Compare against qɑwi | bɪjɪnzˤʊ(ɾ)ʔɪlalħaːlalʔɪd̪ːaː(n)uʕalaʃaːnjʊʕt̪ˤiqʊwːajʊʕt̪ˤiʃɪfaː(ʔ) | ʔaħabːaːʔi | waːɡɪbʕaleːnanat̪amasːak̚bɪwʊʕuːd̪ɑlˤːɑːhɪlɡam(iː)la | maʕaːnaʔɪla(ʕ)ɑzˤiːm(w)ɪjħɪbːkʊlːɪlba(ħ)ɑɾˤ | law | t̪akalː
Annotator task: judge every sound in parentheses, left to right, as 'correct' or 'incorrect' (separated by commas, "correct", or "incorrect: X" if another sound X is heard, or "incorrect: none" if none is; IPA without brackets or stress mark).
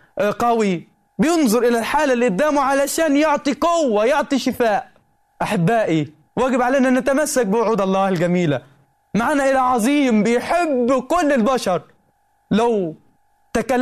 correct, incorrect: m, correct, correct, correct, incorrect: b, incorrect: ʃ